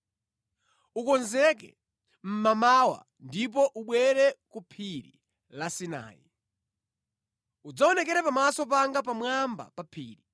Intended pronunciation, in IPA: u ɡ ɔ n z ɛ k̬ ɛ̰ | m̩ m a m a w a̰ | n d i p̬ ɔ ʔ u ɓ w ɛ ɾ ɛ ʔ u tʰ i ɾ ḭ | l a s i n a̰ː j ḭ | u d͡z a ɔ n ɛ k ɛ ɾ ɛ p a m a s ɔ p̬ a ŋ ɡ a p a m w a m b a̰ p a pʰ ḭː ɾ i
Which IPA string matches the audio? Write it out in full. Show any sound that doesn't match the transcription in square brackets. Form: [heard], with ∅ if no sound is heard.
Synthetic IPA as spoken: u [k] ɔ n z ɛ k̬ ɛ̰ | m̩ m a m a w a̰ | n d i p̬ ɔ ʔ u ɓ w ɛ ɾ ɛ [k] u [pʰ] i ɾ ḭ | l a s i n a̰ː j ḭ | u d͡z a ɔ n ɛ k ɛ ɾ ɛ p a m a s ɔ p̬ a ŋ ɡ a p a m w a m b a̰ p a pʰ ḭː ɾ i